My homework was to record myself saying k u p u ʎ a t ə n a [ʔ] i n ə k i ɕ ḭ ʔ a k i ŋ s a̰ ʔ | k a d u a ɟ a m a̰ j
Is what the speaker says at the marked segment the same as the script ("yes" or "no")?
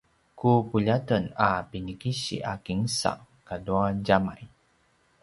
no